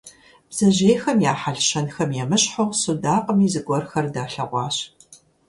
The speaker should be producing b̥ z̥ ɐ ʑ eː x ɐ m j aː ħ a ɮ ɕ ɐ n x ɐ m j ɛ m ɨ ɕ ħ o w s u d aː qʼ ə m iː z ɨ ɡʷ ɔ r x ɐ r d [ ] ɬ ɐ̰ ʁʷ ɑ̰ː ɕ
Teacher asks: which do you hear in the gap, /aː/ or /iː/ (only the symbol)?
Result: aː